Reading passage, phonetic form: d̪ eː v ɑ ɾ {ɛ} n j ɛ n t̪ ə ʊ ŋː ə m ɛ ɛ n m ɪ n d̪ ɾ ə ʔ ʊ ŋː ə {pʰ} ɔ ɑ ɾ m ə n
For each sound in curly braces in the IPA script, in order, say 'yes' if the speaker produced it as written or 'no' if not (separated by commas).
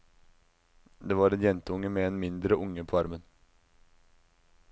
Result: yes, yes